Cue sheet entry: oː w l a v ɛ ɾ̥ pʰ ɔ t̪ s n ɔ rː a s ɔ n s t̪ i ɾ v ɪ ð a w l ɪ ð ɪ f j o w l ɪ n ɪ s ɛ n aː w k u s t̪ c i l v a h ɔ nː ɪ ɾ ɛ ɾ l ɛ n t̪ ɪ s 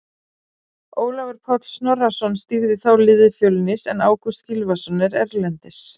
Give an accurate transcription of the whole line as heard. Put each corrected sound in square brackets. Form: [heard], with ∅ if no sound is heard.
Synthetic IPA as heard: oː w l a v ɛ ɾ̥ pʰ ɔ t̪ s n ɔ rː a s ɔ n s t̪ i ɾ [ð] ɪ [θ] a w l ɪ ð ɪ f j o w l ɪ n ɪ s ɛ n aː w k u s t̪ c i l v a [s] ɔ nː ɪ ɾ ɛ ɾ l ɛ n t̪ ɪ s

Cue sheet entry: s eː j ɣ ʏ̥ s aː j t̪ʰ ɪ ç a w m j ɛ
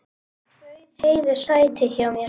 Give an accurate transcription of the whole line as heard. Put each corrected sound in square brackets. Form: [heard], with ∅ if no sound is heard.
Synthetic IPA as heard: [h] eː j [ð] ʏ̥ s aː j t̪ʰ ɪ ç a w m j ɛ

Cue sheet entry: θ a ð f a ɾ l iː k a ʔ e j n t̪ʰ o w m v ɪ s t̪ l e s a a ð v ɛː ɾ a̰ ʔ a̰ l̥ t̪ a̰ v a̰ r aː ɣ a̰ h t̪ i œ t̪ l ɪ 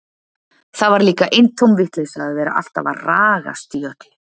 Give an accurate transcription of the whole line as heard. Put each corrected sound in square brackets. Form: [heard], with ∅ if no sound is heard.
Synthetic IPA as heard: θ a ð [v] a ɾ l iː k a ʔ e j n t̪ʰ o w m v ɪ [h] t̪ l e s a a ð v ɛː ɾ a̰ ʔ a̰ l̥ t̪ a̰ v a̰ r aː ɣ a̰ [s] t̪ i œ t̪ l ɪ

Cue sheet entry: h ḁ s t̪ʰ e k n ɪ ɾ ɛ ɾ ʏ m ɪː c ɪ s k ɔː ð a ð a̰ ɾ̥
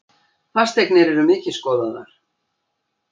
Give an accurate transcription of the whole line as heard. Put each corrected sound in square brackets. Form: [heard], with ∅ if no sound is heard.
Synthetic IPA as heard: [θ] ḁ s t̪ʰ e k n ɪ ɾ ɛ ɾ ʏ m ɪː c ɪ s k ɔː ð a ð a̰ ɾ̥

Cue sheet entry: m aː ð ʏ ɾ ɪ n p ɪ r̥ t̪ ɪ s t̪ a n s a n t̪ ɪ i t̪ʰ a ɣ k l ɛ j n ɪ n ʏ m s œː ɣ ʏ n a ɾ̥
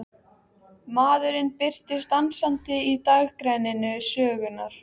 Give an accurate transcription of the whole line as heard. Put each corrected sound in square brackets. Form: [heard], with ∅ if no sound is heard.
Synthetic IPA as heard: m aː ð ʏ ɾ ɪ n p ɪ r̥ t̪ ɪ s t̪ a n s a n t̪ ɪ i [t̪] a ɣ k [ɾ] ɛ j n ɪ n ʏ [∅] s œː ɣ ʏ n a ɾ̥

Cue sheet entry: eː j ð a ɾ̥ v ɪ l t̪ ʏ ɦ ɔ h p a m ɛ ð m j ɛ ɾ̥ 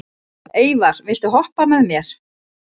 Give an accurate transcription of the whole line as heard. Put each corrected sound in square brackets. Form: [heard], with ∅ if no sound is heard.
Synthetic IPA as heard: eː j [v] a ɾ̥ v ɪ l t̪ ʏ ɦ ɔ h p a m ɛ ð m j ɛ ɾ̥

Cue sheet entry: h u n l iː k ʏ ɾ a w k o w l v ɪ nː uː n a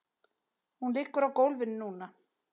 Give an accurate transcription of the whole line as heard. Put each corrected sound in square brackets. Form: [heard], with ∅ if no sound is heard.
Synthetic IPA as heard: h u n l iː k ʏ ɾ a w k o w l v ɪ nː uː n a

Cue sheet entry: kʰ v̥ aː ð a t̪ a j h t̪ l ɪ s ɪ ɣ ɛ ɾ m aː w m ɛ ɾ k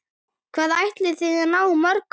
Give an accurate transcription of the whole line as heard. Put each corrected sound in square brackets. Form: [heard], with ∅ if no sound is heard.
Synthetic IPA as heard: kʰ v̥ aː ð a [∅] a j h t̪ l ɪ [θ] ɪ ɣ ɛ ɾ [n] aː w m [œ] ɾ k

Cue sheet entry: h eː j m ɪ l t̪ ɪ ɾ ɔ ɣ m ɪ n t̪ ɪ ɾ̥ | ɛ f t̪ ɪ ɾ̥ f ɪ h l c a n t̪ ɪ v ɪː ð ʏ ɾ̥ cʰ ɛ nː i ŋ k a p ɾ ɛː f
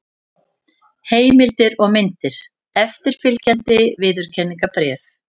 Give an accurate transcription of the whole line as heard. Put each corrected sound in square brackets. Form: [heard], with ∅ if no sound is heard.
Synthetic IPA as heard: h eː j m ɪ l t̪ ɪ ɾ ɔ ɣ m ɪ n t̪ ɪ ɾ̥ | ɛ f t̪ ɪ ɾ̥ f ɪ [∅] l c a n t̪ ɪ v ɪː ð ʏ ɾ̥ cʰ ɛ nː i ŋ k a p ɾ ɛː f

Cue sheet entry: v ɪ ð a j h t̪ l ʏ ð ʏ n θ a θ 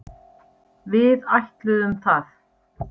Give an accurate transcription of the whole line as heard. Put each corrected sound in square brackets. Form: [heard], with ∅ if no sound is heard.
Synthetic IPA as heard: v ɪ ð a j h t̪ l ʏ ð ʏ [m] θ a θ

